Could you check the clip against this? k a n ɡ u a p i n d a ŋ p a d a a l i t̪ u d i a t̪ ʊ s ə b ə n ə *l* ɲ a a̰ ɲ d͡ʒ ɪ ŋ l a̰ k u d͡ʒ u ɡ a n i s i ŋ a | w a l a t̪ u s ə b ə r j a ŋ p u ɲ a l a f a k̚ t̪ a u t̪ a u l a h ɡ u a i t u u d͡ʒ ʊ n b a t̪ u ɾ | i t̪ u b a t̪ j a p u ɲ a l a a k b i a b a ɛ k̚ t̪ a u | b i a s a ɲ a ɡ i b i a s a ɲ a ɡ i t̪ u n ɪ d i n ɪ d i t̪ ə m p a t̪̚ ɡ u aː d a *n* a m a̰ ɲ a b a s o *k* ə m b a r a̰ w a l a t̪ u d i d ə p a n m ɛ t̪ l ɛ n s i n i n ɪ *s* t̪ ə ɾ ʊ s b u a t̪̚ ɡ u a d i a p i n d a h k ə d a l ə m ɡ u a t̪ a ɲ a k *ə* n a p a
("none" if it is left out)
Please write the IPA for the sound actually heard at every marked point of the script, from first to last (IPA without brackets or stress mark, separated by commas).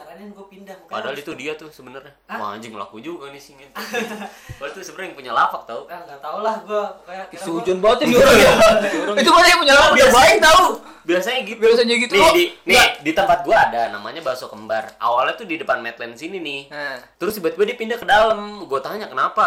r, n, k, h, ə